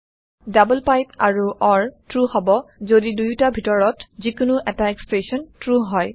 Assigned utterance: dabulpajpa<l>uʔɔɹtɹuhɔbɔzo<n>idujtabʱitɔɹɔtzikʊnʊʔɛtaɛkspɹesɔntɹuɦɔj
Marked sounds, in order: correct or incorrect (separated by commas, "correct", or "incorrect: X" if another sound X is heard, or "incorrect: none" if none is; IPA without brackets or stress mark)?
incorrect: ɹ, incorrect: d